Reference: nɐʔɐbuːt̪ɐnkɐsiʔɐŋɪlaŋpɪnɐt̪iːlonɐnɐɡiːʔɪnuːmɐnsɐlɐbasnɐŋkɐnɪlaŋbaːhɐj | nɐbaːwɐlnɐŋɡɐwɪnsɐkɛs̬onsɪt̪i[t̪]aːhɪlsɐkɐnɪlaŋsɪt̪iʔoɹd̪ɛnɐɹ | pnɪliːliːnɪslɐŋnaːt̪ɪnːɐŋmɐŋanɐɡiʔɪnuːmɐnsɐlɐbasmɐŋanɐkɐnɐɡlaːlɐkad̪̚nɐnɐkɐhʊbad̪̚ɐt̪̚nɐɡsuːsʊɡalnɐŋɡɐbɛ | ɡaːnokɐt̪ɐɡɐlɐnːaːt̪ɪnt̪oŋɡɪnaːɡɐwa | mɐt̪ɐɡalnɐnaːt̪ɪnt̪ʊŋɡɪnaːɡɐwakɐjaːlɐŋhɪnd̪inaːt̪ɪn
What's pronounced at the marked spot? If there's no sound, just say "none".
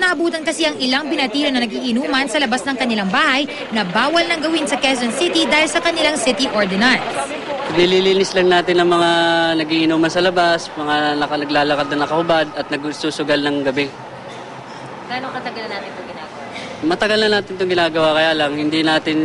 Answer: d̪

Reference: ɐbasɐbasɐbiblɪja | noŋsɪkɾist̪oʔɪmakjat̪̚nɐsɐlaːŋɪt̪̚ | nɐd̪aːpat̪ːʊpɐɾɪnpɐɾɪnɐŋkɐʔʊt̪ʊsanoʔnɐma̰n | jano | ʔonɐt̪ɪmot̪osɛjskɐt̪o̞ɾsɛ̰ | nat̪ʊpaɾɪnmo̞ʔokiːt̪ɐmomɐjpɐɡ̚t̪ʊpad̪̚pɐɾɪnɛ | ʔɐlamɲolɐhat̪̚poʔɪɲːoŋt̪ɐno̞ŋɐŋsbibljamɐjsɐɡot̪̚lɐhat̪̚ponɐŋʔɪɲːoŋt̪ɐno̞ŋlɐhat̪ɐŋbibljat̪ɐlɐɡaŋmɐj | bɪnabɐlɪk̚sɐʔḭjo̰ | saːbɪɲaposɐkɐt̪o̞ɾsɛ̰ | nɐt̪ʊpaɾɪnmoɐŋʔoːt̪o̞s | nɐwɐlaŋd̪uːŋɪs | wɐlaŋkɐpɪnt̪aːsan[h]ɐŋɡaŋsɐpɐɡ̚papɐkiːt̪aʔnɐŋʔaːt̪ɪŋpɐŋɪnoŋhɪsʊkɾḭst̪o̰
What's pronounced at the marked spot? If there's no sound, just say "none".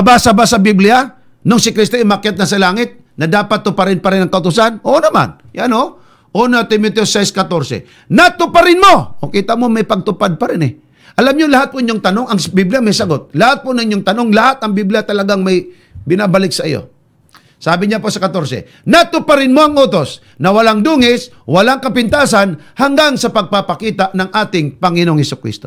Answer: h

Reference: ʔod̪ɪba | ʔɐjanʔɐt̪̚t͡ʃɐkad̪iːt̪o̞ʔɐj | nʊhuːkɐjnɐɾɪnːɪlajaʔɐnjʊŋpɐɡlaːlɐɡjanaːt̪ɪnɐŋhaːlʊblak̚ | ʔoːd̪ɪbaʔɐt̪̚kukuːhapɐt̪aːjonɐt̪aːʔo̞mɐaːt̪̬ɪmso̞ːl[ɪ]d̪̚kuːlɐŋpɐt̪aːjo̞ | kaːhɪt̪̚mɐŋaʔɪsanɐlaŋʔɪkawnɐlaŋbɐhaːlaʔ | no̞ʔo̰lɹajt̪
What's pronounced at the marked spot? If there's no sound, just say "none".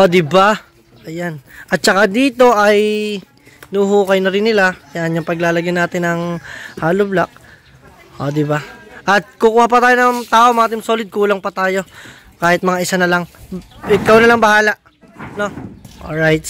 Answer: ɪ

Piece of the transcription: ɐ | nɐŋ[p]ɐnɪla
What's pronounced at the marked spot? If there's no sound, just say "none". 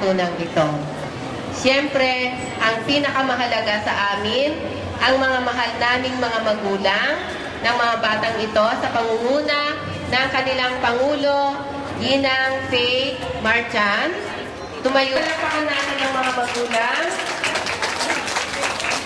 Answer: k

